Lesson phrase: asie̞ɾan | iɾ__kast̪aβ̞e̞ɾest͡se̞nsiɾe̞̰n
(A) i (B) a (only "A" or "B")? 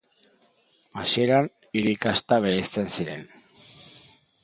A